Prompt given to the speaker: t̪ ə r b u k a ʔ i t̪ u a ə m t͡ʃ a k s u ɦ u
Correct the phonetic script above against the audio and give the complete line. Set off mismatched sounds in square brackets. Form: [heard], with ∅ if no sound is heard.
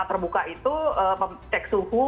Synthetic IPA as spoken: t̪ ə r b u k a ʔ i t̪ u [ə] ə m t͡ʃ [ɛ] k s u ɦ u